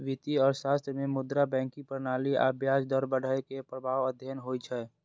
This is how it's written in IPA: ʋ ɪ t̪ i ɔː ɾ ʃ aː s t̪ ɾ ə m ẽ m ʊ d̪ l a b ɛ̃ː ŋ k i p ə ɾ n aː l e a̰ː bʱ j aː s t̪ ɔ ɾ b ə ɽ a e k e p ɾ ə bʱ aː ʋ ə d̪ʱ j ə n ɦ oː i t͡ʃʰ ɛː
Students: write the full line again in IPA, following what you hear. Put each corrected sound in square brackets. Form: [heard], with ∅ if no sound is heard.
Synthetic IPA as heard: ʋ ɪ t̪ i ɔː ɾ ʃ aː s t̪ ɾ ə m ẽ m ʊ d̪ [ɾ] a b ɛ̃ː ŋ k i p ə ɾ n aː l [i] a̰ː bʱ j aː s [d̪] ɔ ɾ b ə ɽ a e k e p ɾ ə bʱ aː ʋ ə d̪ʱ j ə n ɦ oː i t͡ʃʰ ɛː